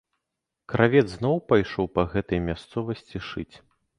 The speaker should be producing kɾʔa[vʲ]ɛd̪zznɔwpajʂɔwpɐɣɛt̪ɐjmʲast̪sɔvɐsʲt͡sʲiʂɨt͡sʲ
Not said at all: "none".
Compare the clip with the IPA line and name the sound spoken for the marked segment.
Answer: vʲ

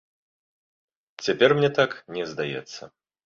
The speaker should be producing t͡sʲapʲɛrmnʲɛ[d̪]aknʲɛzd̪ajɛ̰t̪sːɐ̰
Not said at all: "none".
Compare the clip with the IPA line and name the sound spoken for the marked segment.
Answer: t̪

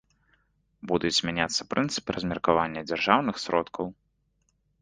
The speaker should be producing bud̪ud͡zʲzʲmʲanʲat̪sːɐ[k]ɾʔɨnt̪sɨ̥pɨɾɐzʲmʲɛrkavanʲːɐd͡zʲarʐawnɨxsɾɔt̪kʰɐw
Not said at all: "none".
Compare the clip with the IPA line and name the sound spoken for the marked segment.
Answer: p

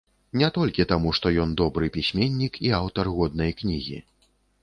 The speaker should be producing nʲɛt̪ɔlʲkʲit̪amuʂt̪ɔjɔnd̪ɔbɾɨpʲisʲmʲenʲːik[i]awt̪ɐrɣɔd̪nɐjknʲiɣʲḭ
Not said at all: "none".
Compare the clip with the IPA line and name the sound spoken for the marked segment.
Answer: i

